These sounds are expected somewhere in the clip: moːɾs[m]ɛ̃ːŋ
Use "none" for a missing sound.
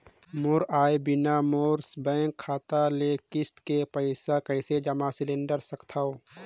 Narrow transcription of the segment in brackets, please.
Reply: b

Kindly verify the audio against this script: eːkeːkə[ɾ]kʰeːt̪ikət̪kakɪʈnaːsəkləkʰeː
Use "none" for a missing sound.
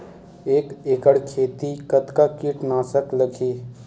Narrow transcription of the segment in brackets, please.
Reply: ɽ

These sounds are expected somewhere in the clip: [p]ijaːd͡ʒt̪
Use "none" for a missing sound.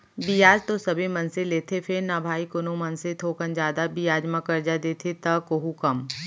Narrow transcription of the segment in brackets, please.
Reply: b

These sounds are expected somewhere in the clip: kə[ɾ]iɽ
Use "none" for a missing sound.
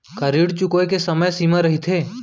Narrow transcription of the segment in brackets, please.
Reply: ɾ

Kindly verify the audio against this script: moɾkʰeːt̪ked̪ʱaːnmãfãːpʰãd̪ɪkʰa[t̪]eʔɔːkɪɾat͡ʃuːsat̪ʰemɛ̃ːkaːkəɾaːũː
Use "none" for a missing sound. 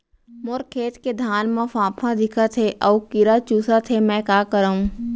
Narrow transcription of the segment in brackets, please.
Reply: t̪ʰ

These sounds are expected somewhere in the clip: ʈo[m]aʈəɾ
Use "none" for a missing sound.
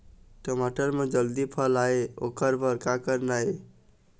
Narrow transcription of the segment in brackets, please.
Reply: m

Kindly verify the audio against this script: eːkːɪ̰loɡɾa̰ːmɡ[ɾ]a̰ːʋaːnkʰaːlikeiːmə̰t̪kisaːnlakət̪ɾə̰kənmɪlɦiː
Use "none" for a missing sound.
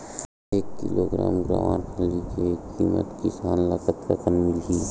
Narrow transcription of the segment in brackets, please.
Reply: ɾ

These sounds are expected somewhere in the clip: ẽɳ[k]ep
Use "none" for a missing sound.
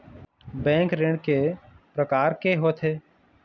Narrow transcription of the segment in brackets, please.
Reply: k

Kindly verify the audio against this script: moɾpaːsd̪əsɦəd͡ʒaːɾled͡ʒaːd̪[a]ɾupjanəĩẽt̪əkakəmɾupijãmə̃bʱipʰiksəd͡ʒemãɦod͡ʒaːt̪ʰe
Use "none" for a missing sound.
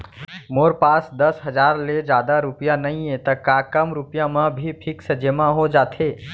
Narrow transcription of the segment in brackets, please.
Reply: a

